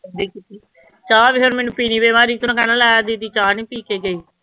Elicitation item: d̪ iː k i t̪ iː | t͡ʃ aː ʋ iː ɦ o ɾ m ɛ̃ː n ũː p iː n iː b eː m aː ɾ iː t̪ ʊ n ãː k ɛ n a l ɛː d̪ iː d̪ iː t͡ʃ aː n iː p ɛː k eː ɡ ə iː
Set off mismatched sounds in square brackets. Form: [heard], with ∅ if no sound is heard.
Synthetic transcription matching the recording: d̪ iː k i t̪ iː | t͡ʃ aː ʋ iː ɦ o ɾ m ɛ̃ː n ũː p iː n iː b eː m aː ɾ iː t̪ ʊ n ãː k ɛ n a l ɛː d̪ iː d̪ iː t͡ʃ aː n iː p [iː] k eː ɡ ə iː